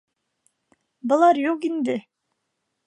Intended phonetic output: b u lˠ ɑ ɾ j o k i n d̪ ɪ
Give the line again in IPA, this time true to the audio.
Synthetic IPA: b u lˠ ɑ ɾ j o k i n d̪ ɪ

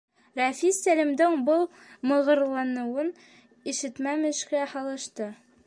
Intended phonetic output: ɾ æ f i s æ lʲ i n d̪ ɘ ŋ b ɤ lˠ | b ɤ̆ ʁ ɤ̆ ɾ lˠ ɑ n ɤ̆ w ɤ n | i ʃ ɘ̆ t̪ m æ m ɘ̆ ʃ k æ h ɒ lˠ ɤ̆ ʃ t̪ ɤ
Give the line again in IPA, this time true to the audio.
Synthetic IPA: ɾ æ f i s æ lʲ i m d̪ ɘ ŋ b ɤ lˠ | m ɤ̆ ʁ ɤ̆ ɾ lˠ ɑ n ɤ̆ w ɤ n | i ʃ ɘ̆ t̪ m æ m ɘ̆ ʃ k æ h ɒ lˠ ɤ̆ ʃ t̪ ɤ

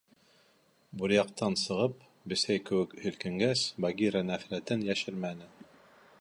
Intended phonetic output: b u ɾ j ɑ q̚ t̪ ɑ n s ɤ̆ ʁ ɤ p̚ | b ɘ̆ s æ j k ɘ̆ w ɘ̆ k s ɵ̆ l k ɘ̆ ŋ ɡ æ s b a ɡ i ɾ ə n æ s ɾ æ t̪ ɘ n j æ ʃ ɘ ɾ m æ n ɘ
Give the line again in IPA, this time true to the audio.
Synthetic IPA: b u ɾ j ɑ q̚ t̪ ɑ n s ɤ̆ ʁ ɤ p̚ | b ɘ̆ s æ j k ɘ̆ w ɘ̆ k h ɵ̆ l k ɘ̆ ŋ ɡ æ s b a ɡ i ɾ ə n æ f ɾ æ t̪ ɘ n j æ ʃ ɘ ɾ m æ n ɘ

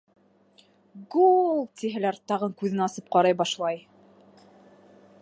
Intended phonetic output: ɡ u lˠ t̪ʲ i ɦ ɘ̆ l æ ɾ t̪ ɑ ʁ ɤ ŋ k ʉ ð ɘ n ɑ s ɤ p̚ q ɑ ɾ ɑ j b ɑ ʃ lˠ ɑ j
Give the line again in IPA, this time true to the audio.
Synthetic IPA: ɡ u lˠ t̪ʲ i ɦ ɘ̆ l æ ɾ t̪ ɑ ʁ ɤ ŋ k ʉ ð ɘ n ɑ s ɤ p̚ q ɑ ɾ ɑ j b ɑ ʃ lˠ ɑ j

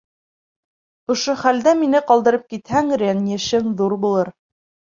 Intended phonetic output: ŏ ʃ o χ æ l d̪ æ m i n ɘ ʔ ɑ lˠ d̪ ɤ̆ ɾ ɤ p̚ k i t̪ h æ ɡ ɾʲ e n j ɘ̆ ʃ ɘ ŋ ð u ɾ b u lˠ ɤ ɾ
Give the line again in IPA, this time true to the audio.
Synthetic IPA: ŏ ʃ o χ æ l d̪ æ m i n ɘ q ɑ lˠ d̪ ɤ̆ ɾ ɤ p̚ k i t̪ h æ ŋ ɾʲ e n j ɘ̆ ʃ ɘ ŋ ð u ɾ b u lˠ ɤ ɾ

